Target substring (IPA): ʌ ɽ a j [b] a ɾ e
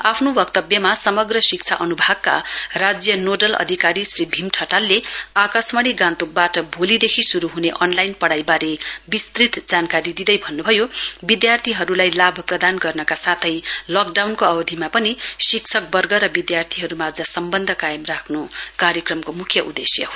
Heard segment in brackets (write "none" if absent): b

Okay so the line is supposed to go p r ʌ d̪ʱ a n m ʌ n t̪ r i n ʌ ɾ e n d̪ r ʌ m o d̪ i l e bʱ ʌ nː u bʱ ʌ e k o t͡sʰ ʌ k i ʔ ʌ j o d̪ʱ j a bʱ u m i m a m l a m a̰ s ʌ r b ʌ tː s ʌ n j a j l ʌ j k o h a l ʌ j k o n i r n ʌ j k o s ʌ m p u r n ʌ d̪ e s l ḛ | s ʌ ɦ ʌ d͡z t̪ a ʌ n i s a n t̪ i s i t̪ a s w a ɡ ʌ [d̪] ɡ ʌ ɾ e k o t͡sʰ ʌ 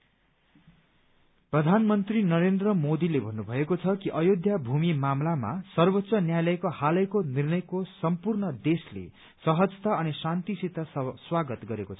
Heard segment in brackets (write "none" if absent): t̪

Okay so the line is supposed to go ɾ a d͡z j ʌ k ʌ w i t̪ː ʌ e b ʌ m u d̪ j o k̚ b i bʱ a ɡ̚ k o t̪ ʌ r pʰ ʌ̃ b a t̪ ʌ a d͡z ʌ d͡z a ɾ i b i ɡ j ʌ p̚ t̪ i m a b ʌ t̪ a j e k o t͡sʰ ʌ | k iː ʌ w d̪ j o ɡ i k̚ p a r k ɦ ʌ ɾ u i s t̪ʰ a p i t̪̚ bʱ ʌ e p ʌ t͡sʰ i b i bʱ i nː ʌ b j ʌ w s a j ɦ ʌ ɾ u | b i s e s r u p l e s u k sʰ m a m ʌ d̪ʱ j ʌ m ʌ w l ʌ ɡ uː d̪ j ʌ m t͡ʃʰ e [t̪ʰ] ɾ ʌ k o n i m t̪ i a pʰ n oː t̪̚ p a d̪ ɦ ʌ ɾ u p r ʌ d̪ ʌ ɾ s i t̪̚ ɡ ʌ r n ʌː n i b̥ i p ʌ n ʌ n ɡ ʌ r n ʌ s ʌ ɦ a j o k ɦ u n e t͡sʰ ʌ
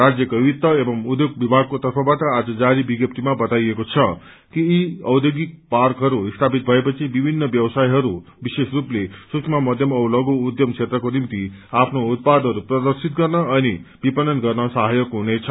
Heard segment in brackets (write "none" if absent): t̪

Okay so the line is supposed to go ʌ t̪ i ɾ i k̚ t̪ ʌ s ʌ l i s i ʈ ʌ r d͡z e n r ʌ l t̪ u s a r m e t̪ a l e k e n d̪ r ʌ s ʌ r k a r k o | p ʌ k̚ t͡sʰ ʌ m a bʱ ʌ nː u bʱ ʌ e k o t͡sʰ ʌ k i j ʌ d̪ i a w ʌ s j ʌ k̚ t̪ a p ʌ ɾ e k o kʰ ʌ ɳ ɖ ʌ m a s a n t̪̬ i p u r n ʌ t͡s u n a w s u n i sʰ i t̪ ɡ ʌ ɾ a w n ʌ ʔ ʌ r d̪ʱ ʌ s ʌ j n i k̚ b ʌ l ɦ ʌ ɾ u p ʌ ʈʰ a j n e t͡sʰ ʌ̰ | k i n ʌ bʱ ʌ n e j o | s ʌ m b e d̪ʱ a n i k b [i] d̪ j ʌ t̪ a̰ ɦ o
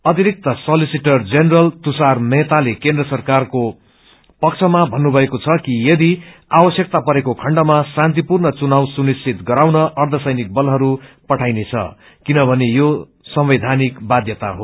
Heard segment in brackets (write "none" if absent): a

